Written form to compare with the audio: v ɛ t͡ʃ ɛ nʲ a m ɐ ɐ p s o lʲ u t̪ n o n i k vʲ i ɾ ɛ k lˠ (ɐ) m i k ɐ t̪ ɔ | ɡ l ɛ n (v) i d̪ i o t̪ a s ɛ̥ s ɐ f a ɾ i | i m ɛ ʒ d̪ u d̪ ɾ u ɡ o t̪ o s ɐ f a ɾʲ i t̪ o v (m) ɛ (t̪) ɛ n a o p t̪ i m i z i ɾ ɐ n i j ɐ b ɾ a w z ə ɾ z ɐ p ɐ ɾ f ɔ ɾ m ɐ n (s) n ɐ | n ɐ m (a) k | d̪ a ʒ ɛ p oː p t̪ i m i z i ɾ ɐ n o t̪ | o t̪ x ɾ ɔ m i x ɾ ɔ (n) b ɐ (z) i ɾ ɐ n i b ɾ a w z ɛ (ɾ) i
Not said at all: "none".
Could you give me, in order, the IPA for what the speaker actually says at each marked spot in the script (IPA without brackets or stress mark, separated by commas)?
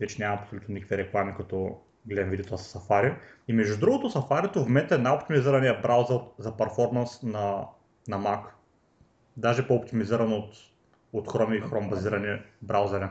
a, v, m, t̪, s, a, m, z, ɾ